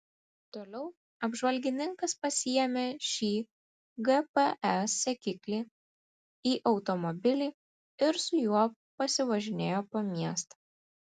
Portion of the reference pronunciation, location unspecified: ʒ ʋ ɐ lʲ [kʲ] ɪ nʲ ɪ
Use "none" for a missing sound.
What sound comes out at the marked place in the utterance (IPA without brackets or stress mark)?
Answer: ɡʲ